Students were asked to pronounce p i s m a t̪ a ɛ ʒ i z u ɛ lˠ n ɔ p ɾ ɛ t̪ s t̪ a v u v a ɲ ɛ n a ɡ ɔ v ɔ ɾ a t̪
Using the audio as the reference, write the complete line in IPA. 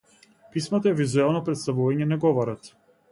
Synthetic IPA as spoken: p i s m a t̪ a ɛ v i z u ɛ lˠ n ɔ p ɾ ɛ t̪ s t̪ a v u v a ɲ ɛ n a ɡ ɔ v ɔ ɾ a t̪